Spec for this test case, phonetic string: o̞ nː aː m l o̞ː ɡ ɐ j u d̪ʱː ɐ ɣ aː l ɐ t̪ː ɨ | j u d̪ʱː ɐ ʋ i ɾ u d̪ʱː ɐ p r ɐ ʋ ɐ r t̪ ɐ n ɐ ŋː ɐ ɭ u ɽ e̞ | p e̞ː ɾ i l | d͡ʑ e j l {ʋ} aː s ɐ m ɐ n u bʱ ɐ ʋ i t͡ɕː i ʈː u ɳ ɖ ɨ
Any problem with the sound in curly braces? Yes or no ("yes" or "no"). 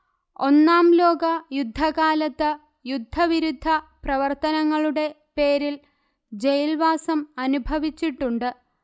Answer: no